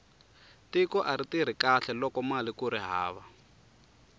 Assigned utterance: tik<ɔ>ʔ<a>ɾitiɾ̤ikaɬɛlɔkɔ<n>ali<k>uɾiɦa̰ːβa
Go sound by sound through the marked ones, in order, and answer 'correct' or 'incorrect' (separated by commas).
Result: correct, correct, incorrect, correct